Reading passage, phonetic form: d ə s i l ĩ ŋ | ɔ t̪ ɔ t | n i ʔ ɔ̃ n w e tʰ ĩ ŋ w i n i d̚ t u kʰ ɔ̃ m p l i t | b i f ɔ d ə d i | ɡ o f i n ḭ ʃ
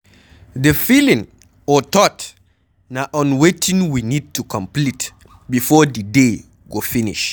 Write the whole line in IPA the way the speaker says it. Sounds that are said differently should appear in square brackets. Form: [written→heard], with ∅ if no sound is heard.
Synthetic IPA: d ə [s→f] i l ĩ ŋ | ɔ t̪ ɔ t | n [i→a] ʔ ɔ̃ n w e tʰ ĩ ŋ w i n i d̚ t u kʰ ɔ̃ m p l i t | b i f ɔ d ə d [i→e] | ɡ o f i n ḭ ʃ